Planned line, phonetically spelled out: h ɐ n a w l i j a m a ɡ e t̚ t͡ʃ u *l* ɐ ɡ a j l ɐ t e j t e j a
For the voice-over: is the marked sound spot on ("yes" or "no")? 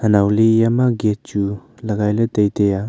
yes